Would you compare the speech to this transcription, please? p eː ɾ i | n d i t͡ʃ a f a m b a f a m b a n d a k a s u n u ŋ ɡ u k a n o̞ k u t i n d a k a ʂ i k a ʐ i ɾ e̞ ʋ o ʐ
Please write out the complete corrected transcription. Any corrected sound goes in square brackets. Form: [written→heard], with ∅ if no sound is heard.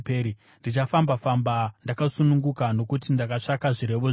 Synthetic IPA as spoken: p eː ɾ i | n d i t͡ʃ a f a m b a f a m b a n d a k a s u n u ŋ ɡ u k a n o̞ k u t i n d a k a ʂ [i→a] k a ʐ i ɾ e̞ ʋ o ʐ